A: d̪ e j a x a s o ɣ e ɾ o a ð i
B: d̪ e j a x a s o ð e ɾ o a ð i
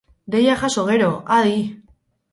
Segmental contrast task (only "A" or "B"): A